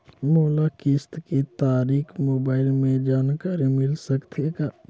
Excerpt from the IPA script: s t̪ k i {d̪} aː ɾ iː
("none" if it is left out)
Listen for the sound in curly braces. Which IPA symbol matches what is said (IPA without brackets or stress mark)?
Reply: t̪